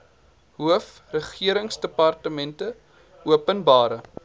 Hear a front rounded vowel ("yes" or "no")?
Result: no